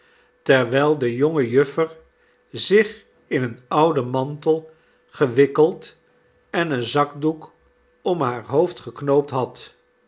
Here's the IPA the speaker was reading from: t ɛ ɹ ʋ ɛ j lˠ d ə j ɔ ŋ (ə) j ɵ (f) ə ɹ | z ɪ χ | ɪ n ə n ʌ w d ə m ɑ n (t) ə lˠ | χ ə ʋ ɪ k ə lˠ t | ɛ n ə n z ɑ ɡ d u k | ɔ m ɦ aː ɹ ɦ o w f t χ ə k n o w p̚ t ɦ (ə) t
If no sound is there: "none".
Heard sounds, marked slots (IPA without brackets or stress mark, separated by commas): ə, f, t, ɑ